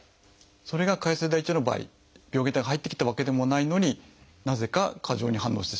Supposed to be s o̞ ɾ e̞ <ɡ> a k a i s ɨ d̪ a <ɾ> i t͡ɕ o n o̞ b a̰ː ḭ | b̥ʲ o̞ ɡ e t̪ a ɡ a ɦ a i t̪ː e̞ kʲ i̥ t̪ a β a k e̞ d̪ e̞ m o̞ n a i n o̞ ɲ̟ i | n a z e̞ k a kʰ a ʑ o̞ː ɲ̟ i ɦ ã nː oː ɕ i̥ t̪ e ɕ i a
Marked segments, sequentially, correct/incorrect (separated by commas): correct, incorrect